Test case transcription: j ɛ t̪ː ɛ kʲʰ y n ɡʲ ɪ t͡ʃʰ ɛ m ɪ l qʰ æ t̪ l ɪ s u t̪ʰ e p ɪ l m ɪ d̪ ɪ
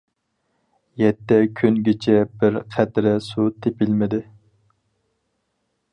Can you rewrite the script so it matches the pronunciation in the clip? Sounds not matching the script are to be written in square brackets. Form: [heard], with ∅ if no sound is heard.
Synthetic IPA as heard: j ɛ t̪ː ɛ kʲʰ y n ɡʲ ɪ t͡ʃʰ ɛ [b] ɪ [ɾ] qʰ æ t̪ [ɾ] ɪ s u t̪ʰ e p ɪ l m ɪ d̪ ɪ